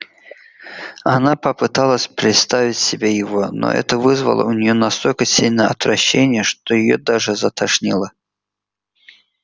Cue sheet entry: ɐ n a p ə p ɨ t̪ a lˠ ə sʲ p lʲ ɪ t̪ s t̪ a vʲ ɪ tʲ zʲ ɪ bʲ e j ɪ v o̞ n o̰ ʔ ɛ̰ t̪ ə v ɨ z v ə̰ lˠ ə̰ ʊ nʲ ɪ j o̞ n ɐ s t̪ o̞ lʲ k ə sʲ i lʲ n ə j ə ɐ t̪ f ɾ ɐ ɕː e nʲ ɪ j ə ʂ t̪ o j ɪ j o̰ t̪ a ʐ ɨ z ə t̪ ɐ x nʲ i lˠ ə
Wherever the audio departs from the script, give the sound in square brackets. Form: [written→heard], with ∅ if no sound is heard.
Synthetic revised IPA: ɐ n a p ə p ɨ t̪ a lˠ ə sʲ p [lʲ→ɾʲ] ɪ t̪ s t̪ a vʲ ɪ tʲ [zʲ→sʲ] ɪ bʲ e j ɪ v o̞ n o̰ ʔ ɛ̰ t̪ ə v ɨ z v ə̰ lˠ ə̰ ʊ nʲ ɪ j o̞ n ɐ s t̪ o̞ lʲ k ə sʲ i lʲ n ə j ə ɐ t̪ [f→v] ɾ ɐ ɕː e nʲ ɪ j ə ʂ t̪ o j ɪ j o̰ [t̪→d̪] a ʐ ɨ z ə t̪ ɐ [x→ʂ] nʲ i lˠ ə